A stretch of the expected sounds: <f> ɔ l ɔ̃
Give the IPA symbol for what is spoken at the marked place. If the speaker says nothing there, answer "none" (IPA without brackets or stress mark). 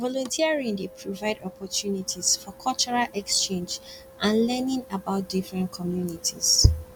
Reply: v